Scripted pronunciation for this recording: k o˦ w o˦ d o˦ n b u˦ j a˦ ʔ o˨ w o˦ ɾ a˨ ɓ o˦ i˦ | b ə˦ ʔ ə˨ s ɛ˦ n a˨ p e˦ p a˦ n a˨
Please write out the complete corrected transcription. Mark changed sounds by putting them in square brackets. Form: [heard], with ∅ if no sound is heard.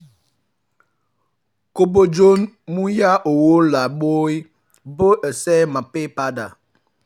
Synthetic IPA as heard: k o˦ [b] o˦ [d͡ʒ] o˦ n [m] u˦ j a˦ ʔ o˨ w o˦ [l] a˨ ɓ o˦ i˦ | b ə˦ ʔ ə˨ s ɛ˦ [m] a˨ p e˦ p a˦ [d] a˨